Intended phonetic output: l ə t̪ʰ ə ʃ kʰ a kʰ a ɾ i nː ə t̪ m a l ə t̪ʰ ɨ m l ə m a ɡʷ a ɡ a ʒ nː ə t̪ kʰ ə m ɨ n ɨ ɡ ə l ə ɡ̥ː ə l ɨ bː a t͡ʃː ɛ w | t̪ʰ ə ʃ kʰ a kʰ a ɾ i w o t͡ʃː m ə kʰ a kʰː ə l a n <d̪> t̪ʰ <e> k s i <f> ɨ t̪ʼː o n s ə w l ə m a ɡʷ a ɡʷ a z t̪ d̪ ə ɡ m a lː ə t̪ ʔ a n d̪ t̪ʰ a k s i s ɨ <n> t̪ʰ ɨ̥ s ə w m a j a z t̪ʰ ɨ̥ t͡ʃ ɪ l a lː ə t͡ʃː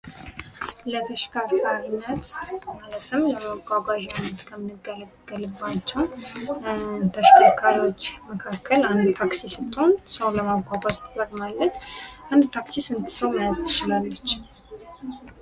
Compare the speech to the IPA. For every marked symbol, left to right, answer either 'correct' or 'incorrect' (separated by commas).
correct, incorrect, incorrect, correct